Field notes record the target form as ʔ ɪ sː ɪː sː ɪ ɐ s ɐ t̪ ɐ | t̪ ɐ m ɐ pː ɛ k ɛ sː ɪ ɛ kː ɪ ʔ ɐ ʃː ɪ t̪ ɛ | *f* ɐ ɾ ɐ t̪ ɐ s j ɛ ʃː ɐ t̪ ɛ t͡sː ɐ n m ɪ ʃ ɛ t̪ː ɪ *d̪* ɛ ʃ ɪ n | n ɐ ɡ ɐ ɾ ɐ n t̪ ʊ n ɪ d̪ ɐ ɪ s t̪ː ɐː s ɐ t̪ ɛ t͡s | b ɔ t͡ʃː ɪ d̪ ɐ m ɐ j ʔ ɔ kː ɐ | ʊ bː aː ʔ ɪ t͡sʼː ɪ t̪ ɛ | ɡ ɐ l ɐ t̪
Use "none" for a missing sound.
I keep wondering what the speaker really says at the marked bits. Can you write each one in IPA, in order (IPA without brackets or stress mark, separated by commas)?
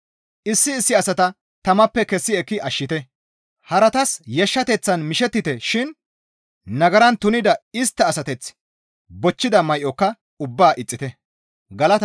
h, t̪